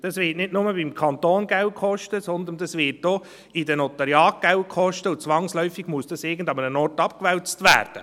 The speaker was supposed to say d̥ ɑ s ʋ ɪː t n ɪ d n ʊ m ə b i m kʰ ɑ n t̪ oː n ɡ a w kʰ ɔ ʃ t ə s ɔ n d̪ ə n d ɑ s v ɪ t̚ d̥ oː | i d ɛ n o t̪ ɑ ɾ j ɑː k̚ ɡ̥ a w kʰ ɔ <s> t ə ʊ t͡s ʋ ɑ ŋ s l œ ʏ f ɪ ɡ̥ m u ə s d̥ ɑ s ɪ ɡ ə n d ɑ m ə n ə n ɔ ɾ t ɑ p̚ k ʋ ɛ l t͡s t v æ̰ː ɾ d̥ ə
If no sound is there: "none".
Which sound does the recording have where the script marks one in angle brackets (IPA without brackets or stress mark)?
ʃ